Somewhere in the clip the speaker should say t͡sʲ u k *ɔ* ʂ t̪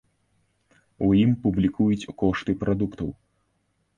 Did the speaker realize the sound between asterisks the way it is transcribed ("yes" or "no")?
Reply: yes